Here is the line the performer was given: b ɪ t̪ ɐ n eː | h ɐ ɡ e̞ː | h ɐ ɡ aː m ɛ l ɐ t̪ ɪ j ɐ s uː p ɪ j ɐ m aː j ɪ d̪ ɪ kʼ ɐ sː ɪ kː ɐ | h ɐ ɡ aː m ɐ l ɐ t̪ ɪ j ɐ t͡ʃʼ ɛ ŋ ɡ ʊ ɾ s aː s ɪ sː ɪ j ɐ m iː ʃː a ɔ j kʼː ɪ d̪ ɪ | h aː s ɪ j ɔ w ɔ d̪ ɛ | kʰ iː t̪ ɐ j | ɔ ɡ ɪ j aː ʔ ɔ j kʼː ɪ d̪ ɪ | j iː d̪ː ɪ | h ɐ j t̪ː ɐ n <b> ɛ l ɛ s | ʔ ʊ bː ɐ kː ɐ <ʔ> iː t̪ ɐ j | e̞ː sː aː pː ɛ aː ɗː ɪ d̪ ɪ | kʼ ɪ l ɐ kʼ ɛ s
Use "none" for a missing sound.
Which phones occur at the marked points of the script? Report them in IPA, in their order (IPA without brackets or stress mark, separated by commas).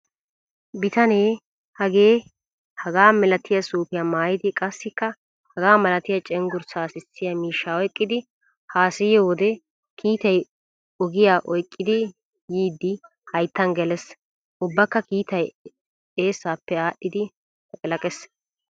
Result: ɡ, k